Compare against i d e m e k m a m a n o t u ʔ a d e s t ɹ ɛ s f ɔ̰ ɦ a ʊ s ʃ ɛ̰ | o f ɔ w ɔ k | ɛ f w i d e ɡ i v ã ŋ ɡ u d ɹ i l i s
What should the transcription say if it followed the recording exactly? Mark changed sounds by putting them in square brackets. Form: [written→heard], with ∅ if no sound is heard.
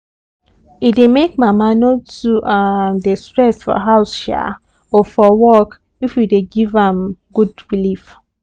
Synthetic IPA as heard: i d e m e k m a m a n o t u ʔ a d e s t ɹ ɛ s f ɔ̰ ɦ a ʊ s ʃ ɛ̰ | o f ɔ w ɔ k | [ɛ→i] f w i d e ɡ i v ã [ŋ→m] ɡ u d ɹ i l i [s→f]